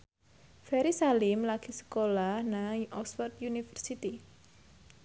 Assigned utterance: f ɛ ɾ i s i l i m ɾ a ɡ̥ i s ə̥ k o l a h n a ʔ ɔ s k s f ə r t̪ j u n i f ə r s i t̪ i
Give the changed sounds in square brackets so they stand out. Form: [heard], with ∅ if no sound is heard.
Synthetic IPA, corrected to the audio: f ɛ ɾ i s [a] l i m [l] a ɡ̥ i s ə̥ k o l a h n a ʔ ɔ [∅] k s f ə r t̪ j u n i f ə r s i t̪ i